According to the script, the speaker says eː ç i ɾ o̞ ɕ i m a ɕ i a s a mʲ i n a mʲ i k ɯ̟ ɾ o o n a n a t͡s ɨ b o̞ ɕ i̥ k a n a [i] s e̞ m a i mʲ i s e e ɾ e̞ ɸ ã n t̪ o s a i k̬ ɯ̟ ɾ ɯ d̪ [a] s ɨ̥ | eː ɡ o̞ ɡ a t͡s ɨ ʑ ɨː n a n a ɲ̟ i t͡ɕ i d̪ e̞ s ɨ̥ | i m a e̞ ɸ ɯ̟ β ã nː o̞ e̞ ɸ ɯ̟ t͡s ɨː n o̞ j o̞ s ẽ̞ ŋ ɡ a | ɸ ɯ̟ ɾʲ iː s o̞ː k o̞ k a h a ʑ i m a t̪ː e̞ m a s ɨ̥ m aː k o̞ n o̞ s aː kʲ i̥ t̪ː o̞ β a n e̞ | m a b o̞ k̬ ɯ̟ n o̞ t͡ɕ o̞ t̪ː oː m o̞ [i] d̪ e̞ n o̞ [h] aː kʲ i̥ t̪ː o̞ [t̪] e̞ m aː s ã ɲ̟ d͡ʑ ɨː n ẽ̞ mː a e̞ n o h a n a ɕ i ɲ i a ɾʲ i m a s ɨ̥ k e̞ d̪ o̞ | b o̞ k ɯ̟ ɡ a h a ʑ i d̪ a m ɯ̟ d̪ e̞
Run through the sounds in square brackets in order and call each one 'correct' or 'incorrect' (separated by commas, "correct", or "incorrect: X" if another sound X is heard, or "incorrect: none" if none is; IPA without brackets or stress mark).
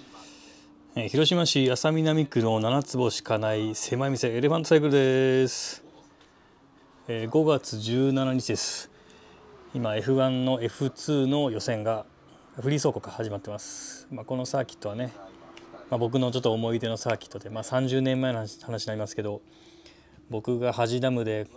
correct, incorrect: e, correct, incorrect: s, incorrect: d̪